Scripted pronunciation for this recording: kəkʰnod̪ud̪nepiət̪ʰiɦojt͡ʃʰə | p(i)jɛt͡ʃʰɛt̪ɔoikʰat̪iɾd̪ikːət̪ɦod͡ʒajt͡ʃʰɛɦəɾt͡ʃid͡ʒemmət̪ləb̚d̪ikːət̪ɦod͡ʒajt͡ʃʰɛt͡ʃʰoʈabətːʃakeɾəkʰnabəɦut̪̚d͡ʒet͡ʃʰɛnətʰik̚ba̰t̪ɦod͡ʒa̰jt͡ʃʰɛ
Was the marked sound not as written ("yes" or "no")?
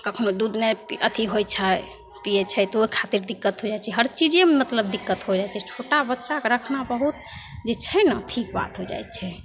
no